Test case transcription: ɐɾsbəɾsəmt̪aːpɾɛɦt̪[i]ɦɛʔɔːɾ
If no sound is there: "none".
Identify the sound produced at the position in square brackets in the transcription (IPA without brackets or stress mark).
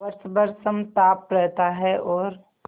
a